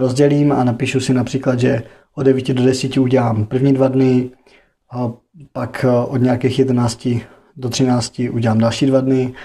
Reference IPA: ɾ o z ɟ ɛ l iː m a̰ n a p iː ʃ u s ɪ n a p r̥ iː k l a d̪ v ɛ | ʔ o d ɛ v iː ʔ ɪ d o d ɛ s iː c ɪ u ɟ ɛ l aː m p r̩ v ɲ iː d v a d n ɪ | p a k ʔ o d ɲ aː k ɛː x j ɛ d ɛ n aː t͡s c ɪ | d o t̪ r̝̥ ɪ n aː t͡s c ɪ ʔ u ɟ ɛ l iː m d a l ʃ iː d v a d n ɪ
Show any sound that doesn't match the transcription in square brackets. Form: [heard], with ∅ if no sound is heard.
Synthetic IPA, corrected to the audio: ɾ o z ɟ ɛ l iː m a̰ n a p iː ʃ u s ɪ n a p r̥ iː k l a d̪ [ʒ] ɛ | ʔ o d ɛ v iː [c] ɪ d o d ɛ s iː c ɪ u ɟ ɛ l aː m p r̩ v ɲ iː d v a d n ɪ | p a k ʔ o d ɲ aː k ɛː x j ɛ d ɛ n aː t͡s c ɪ | d o t̪ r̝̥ ɪ n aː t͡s c ɪ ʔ u ɟ ɛ l [aː] m d a l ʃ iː d v a d n ɪ